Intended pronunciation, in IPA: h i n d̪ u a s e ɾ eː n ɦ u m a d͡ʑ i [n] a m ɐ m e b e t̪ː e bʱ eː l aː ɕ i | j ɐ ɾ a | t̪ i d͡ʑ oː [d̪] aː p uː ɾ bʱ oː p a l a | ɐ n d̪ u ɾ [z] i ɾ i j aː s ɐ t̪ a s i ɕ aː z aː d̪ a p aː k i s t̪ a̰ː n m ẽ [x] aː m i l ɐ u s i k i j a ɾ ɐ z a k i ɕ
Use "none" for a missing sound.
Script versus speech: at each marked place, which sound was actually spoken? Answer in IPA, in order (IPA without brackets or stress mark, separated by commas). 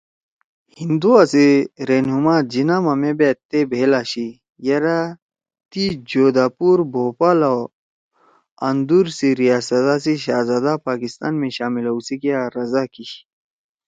n, d̪, s, ɕ